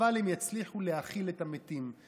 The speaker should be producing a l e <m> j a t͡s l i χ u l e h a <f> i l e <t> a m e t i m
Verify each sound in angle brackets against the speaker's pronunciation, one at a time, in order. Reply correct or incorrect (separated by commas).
correct, incorrect, correct